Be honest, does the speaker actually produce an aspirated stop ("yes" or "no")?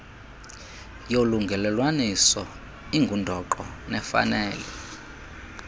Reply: no